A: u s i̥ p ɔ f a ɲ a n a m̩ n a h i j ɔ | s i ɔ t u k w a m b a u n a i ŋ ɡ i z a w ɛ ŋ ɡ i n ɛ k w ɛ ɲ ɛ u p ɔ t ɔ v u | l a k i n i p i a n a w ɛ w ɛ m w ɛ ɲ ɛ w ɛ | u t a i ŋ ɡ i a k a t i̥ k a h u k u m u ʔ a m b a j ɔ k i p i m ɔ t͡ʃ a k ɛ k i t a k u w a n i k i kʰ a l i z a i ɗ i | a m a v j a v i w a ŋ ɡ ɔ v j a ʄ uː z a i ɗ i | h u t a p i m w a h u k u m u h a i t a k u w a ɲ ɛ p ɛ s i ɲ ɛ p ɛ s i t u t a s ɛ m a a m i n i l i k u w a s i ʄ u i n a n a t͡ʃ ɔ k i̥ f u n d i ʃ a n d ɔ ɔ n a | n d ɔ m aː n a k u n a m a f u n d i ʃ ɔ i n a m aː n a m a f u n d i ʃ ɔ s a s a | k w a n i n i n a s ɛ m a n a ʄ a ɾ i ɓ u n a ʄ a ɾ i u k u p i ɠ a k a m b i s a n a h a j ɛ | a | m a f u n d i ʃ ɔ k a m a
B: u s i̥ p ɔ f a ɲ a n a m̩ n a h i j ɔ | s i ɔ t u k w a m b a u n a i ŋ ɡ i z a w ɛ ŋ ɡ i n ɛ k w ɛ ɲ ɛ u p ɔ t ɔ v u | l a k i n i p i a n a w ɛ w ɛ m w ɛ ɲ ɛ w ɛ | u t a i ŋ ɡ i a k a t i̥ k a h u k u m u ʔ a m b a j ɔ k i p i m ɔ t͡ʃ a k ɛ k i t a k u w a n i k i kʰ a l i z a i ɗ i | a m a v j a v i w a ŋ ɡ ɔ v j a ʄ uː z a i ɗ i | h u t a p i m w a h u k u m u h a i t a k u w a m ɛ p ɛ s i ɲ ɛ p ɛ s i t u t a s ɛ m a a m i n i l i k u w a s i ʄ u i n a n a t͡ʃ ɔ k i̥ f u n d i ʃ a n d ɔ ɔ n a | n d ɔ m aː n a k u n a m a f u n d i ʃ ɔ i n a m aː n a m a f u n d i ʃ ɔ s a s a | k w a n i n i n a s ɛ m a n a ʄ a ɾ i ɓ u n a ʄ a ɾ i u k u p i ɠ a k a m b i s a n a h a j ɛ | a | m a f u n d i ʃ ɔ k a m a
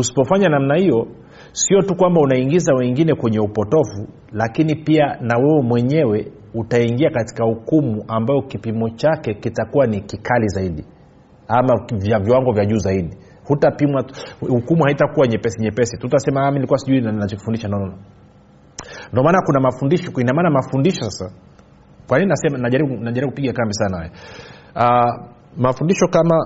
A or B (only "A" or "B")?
A